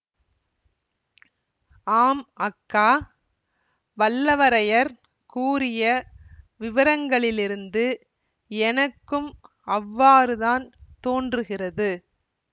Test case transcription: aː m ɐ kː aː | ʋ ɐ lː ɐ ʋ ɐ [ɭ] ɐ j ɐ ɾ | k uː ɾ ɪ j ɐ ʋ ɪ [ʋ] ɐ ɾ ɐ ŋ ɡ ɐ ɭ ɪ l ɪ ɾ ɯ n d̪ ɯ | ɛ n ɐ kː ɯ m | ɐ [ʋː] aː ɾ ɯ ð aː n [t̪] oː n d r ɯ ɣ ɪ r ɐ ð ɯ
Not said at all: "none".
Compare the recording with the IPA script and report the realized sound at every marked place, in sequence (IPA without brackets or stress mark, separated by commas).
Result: ɾ, ʋ, ʋː, t̪